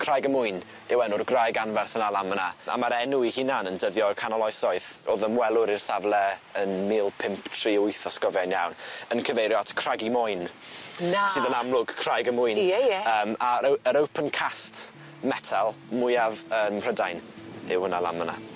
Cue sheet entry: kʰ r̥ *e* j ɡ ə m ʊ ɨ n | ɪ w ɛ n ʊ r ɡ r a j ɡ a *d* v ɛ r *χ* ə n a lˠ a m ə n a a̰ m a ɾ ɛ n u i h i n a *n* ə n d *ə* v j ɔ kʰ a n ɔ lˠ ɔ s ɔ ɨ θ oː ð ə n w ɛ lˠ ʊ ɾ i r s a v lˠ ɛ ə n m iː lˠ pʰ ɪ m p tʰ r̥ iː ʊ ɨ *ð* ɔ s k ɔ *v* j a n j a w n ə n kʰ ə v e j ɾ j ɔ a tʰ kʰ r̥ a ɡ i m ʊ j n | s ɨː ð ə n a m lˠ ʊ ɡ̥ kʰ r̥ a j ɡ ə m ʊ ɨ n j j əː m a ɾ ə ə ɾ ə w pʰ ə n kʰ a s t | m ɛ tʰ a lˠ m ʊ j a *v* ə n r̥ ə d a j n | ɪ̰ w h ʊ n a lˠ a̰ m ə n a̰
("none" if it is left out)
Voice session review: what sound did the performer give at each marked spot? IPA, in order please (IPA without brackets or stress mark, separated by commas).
a, n, θ, n, ə, θ, v, v